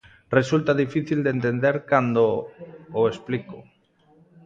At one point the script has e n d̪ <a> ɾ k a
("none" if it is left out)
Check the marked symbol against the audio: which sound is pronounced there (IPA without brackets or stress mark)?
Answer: e